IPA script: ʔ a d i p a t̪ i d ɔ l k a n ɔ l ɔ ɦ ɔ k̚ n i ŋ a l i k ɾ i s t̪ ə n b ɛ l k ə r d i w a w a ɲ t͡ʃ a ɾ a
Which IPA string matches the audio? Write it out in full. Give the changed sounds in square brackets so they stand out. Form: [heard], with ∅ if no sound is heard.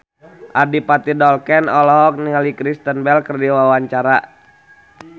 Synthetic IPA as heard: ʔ a d i p a t̪ i d ɔ l k [ɛ] n ɔ l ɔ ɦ ɔ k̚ n i ŋ a l i k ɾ i s t̪ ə n b ɛ l k ə r d i w a w a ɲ t͡ʃ a ɾ a